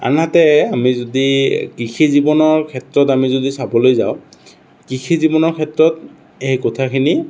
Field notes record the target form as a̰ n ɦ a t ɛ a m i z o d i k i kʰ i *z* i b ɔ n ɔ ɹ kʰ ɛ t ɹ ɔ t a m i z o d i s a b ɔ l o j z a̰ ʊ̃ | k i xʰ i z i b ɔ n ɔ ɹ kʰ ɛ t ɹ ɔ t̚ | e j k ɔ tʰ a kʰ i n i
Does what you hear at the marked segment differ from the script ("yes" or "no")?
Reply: no